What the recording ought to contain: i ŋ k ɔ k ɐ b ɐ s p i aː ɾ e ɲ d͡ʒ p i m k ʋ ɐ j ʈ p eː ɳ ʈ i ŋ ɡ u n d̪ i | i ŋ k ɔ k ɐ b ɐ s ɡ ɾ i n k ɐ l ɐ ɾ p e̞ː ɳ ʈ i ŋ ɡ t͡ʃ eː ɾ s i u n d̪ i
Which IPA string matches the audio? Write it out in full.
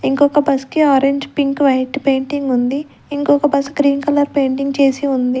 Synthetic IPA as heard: i ŋ k ɔ k ɐ b ɐ s k i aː ɾ e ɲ d͡ʒ p i ŋ k ʋ ɐ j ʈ p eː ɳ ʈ i ŋ ɡ u n d̪ i | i ŋ k ɔ k ɐ b ɐ s ɡ ɾ iː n k ɐ l ɐ ɾ p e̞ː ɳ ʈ i ŋ ɡ t͡ʃ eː s i u n d̪ i